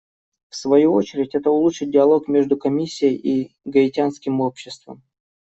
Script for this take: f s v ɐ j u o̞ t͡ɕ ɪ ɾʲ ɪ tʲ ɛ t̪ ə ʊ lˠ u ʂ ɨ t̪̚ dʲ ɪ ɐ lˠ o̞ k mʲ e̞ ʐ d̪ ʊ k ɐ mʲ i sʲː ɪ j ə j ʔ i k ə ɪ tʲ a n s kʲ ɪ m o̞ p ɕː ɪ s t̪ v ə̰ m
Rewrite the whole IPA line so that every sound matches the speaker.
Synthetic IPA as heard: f s v ɐ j u o̞ t͡ɕ ɪ ɾʲ ɪ tʲ ɛ t̪ ə ʊ lˠ u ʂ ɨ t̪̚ dʲ ɪ ɐ lˠ o̞ k mʲ e̞ ʐ d̪ ʊ k ɐ mʲ i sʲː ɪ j ə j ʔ i ɡ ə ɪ tʲ a n s kʲ ɪ m o̞ p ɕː ɪ s t̪ v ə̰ m